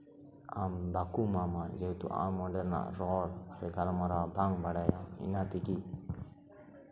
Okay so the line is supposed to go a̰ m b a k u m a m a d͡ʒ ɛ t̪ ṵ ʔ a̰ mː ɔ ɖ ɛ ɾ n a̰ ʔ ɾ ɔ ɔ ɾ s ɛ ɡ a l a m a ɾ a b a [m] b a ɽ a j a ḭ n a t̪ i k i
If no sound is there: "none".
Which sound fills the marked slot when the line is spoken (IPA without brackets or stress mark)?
ŋ